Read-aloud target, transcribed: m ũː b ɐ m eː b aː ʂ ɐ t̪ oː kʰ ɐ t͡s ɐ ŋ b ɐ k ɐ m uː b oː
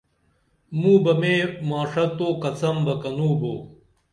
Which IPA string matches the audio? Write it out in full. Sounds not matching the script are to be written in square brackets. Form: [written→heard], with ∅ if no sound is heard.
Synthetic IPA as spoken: m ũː b ɐ m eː [b→m] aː ʂ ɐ t̪ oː [kʰ→k] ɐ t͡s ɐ [ŋ→m] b ɐ k ɐ [m→n] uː b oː